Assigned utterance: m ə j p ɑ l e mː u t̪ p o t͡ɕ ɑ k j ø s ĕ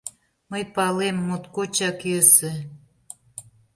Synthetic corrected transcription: m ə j p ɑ l e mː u t̪ k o t͡ɕ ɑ k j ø s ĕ